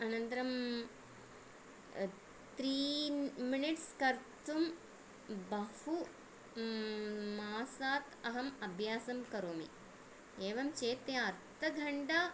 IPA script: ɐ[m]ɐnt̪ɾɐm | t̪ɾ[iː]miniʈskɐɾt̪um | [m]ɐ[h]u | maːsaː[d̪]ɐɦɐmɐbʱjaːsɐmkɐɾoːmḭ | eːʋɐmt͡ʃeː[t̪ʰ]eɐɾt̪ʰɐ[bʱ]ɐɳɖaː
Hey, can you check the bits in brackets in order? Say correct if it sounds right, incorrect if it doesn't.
incorrect, correct, incorrect, correct, incorrect, incorrect, incorrect

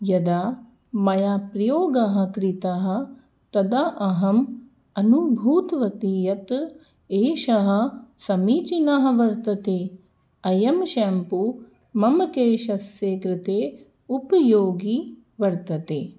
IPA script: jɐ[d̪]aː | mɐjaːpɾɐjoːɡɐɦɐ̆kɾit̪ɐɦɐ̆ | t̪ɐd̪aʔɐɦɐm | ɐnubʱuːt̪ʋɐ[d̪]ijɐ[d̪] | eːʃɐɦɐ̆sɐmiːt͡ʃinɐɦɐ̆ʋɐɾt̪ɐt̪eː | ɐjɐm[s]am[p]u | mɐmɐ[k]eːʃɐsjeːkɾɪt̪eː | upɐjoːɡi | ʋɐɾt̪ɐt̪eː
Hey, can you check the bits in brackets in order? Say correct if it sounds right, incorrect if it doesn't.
correct, incorrect, incorrect, incorrect, correct, correct

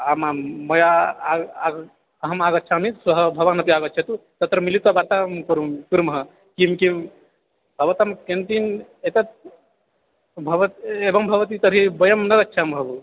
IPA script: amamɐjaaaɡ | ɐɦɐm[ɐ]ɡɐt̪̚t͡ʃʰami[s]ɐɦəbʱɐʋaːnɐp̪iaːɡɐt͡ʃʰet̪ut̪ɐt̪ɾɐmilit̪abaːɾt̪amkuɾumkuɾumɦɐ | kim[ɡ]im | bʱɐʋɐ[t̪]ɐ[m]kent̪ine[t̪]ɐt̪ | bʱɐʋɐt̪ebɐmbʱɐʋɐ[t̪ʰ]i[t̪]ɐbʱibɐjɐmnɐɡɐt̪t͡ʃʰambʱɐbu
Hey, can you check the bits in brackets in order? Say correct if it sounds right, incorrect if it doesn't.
incorrect, correct, incorrect, correct, correct, correct, incorrect, correct

